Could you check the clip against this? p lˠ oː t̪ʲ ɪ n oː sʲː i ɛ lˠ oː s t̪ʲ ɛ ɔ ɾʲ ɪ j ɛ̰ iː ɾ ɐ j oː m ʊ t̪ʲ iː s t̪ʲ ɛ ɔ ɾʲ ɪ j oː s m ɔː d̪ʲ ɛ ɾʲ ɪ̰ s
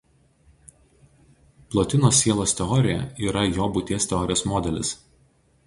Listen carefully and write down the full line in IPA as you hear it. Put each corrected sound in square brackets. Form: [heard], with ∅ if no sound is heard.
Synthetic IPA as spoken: p lˠ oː t̪ʲ ɪ n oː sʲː i ɛ lˠ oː s t̪ʲ ɛ ɔ ɾʲ ɪ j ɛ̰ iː ɾ ɐ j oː [b] ʊ t̪ʲ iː s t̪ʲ ɛ ɔ ɾʲ ɪ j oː s m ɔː d̪ʲ ɛ [lʲ] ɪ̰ s